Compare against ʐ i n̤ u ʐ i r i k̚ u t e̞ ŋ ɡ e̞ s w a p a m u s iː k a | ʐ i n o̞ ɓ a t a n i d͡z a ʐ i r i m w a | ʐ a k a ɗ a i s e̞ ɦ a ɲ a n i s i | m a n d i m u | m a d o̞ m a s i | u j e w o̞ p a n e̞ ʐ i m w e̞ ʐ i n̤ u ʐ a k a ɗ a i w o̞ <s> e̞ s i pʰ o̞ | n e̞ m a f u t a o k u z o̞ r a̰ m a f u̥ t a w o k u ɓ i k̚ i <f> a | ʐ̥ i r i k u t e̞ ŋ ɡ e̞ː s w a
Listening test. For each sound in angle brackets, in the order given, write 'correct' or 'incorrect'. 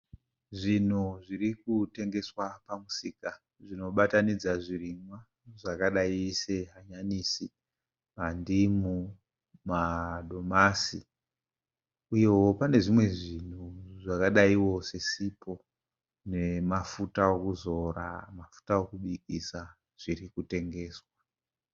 correct, incorrect

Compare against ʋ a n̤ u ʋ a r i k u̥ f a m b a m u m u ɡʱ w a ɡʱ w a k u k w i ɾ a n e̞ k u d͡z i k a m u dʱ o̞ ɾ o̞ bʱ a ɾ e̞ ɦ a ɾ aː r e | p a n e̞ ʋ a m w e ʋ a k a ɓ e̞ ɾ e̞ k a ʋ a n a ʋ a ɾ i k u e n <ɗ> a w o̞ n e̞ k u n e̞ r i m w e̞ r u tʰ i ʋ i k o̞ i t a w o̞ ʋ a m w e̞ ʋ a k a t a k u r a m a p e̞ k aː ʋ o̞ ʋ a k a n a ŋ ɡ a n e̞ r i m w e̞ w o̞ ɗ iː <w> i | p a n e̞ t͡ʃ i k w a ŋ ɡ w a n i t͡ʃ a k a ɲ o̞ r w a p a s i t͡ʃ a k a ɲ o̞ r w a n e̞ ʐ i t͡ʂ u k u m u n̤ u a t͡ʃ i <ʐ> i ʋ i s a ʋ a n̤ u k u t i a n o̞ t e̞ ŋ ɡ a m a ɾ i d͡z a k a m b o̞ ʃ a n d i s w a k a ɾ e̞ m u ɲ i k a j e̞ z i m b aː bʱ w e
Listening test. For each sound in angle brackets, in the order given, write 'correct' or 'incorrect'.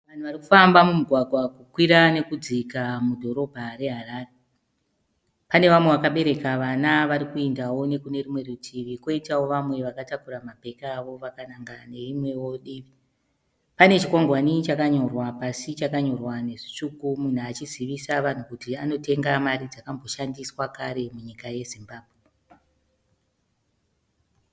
incorrect, incorrect, incorrect

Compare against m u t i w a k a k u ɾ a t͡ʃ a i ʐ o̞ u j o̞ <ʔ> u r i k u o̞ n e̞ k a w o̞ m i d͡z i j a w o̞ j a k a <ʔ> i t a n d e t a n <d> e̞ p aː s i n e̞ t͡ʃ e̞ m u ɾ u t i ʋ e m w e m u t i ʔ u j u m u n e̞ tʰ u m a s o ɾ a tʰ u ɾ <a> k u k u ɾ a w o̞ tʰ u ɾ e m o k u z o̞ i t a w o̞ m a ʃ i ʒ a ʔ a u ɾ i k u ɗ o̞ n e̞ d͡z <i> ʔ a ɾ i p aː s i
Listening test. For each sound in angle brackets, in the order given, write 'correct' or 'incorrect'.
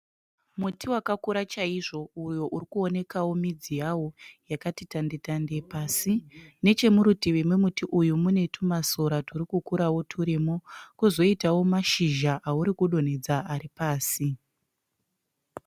correct, incorrect, correct, incorrect, incorrect

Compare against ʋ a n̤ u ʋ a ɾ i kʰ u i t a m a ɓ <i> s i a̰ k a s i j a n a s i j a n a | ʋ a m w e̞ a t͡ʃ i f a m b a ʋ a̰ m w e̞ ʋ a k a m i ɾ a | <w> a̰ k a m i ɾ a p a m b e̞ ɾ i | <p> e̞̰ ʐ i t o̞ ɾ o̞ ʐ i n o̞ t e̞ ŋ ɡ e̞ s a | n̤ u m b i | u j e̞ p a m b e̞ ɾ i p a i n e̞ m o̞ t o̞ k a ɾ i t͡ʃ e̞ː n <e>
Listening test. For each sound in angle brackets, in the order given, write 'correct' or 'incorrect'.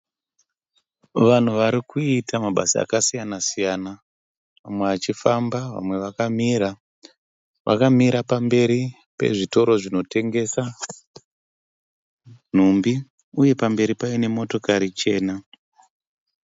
incorrect, incorrect, correct, incorrect

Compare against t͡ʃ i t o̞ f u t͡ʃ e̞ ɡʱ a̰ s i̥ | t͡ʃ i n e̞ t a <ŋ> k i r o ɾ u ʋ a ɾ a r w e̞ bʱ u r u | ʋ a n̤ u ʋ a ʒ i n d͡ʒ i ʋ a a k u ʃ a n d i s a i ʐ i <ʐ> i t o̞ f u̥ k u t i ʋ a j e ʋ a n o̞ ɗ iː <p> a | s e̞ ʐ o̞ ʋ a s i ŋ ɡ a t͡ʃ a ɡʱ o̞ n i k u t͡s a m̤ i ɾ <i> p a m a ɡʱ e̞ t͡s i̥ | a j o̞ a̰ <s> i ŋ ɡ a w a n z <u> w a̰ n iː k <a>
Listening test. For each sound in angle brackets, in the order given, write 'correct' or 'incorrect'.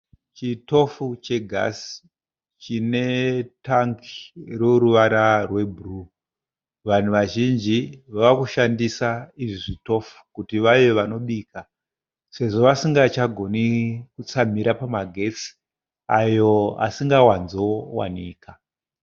correct, correct, incorrect, incorrect, correct, incorrect, correct

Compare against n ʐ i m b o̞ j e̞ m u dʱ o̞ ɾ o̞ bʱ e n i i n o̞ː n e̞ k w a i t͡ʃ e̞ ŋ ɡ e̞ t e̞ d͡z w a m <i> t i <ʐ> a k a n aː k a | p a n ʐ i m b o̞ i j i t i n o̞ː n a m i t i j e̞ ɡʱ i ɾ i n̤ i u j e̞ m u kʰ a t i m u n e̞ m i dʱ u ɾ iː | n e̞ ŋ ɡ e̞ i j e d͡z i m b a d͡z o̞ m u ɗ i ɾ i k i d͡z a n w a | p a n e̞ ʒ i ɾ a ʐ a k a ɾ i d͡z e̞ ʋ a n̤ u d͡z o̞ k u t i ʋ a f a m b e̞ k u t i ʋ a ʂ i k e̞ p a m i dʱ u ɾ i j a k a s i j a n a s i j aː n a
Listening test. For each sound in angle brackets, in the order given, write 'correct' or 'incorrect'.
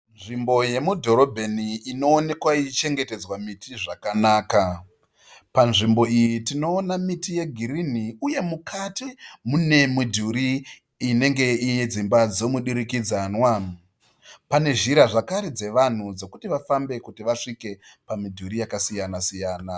correct, correct

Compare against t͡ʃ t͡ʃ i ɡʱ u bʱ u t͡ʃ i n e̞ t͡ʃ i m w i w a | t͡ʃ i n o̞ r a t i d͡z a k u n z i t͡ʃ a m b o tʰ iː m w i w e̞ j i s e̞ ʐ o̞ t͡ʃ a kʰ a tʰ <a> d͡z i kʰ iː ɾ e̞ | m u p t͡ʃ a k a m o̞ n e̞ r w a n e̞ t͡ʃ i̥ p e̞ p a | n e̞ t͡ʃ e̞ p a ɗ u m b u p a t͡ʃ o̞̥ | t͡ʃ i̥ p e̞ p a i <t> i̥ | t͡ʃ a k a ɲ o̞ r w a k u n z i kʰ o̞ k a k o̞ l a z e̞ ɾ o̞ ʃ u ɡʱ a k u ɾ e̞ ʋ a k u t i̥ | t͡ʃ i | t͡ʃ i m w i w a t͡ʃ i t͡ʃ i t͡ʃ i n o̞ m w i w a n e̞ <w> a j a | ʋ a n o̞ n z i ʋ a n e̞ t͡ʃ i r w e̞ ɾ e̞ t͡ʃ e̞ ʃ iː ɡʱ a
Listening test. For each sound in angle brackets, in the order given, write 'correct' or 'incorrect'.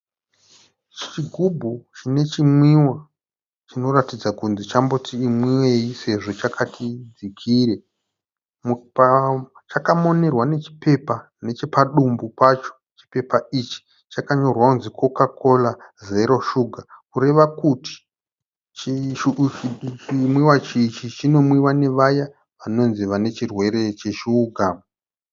incorrect, incorrect, incorrect

